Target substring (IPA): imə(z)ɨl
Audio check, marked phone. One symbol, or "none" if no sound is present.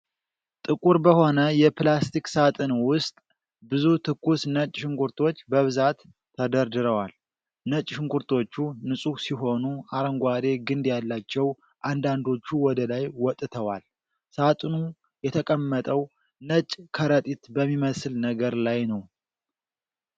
s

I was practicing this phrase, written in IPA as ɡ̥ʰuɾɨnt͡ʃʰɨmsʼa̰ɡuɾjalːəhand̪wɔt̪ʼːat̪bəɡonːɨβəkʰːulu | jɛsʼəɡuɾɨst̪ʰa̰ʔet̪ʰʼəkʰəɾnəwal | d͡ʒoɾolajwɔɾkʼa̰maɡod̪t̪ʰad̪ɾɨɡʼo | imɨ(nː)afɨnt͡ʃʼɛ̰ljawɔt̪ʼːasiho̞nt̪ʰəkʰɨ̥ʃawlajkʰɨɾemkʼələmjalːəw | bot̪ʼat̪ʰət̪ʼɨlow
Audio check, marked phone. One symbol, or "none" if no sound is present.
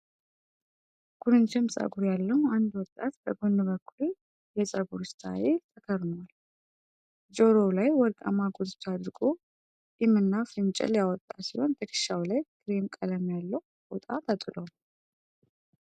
nː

